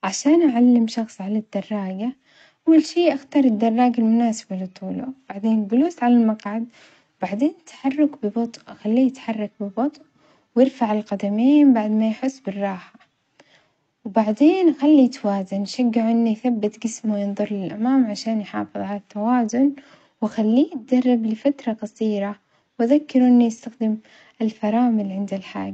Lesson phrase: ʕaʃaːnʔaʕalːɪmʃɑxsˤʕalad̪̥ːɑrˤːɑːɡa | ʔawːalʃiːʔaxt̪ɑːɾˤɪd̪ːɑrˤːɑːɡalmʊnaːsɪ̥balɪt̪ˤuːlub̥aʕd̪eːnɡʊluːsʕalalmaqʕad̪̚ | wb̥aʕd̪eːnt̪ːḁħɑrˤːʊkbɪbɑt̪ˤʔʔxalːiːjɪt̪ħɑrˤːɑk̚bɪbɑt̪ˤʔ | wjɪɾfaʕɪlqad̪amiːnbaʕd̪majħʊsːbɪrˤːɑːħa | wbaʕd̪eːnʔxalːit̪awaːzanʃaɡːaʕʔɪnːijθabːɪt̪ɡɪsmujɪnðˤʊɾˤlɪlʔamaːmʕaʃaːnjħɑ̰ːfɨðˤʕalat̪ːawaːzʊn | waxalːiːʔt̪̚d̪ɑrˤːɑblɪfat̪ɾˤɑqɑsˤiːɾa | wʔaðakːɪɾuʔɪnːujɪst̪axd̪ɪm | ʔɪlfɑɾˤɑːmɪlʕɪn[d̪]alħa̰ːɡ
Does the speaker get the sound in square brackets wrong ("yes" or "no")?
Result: no